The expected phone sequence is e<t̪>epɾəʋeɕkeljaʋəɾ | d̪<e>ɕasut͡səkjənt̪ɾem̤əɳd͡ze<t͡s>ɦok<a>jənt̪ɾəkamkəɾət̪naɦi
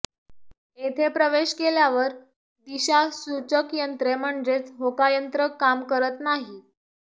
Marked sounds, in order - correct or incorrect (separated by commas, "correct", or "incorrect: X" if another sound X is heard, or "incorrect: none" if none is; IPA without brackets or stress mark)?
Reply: incorrect: t̪ʰ, incorrect: i, correct, correct